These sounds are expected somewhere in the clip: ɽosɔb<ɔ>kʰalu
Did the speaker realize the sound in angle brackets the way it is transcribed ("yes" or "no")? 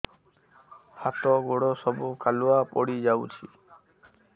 no